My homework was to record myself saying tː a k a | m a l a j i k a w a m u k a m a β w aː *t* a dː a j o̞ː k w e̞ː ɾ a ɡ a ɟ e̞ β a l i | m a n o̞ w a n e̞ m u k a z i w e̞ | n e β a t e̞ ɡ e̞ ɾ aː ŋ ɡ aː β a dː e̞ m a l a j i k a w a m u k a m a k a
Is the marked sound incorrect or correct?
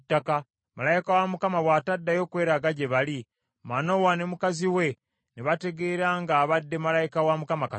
correct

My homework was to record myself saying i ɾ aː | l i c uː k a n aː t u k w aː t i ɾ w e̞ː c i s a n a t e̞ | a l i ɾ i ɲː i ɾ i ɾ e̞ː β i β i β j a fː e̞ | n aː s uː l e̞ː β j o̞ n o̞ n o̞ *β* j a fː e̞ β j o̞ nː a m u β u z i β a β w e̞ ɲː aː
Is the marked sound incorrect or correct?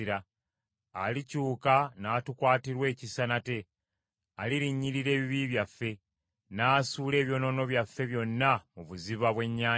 correct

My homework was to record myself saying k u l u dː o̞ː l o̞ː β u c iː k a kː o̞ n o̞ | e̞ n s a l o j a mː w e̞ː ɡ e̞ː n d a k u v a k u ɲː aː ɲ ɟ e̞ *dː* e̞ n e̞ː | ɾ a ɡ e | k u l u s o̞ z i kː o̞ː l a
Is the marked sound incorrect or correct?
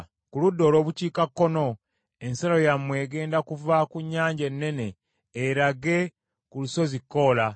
incorrect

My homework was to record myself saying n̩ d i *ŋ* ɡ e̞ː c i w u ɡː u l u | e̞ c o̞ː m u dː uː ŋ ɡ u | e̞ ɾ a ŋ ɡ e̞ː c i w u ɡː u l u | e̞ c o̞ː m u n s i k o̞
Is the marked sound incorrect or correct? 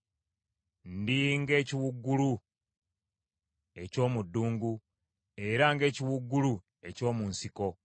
correct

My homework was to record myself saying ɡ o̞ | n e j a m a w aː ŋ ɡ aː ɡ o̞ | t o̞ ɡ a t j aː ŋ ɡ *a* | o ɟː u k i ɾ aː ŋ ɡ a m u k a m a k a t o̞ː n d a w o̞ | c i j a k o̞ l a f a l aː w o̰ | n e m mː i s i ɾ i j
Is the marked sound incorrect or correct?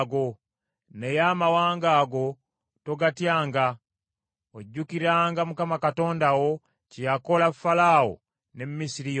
correct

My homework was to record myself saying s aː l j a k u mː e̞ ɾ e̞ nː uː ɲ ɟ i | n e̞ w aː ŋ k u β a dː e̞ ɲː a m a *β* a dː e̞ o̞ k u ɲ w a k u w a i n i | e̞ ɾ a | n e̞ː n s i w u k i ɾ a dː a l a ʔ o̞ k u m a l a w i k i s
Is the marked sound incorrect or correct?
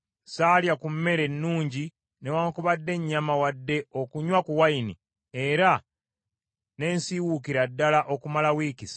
incorrect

